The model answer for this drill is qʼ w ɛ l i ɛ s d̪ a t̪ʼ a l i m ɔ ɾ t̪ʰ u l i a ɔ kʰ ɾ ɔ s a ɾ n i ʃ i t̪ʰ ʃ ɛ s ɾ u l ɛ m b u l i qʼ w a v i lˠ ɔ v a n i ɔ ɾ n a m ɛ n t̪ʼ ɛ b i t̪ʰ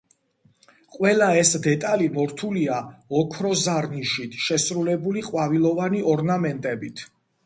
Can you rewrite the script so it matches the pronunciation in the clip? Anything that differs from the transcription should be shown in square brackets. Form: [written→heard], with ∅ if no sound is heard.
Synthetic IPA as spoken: qʼ w ɛ l [i→a] ɛ s d̪ [a→ɛ] t̪ʼ a l i m ɔ ɾ t̪ʰ u l i a ɔ kʰ ɾ ɔ [s→z] a ɾ n i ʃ i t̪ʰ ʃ ɛ s ɾ u l ɛ [m→∅] b u l i qʼ w a v i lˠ ɔ v a n i ɔ ɾ n a m ɛ n t̪ʼ ɛ b i t̪ʰ